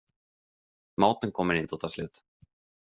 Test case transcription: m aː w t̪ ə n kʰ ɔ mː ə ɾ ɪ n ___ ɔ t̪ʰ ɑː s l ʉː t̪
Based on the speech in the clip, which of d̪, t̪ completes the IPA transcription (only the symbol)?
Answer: t̪